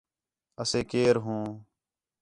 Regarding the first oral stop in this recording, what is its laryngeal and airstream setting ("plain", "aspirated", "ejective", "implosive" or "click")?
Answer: plain